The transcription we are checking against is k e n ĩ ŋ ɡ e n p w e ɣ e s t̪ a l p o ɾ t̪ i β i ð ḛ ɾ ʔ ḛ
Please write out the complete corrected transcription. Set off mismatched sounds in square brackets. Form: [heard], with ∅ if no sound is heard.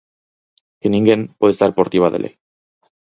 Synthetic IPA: k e n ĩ ŋ ɡ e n p w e [ð] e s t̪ a [ɾ] p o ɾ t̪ i β [a] ð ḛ [l] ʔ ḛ